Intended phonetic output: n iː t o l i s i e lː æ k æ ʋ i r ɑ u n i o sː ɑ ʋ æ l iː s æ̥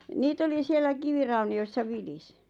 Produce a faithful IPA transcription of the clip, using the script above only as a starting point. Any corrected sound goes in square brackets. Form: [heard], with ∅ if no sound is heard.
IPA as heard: n iː t o l i s i e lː æ k [i] ʋ i r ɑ u n i o sː ɑ ʋ [i] l [i] s [i̥]